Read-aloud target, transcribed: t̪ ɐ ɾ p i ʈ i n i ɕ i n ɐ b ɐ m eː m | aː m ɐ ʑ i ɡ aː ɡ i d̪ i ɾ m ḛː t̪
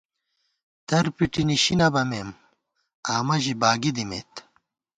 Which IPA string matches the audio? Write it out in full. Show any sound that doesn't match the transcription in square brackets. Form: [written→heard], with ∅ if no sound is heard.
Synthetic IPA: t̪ ɐ ɾ p i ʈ i n i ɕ i n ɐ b ɐ m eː m | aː m ɐ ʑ i [ɡ→b] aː ɡ i d̪ i [ɾ→∅] m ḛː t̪